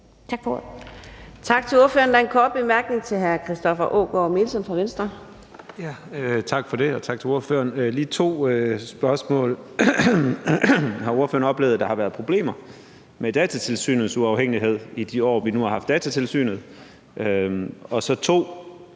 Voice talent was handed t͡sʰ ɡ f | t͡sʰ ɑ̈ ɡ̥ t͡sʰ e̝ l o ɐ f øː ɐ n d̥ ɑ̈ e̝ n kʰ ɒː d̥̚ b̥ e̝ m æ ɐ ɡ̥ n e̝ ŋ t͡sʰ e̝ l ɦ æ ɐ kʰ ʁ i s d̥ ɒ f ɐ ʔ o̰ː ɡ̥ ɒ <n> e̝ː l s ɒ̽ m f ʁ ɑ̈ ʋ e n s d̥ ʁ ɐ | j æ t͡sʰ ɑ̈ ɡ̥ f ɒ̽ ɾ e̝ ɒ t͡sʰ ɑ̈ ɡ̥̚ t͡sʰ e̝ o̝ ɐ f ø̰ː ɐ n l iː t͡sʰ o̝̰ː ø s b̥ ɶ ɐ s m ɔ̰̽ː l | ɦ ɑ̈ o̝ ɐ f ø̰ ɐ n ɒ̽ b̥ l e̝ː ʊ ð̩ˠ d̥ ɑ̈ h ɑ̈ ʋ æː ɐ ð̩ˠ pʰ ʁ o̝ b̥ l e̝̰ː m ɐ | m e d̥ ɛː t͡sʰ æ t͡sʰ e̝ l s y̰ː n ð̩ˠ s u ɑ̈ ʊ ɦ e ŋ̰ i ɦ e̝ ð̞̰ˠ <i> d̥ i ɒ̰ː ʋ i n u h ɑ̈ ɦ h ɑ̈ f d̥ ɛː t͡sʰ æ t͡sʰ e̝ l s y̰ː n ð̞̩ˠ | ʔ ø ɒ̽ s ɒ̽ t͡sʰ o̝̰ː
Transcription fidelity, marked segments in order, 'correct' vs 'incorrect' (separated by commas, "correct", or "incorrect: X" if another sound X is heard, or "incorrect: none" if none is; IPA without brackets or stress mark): incorrect: m, correct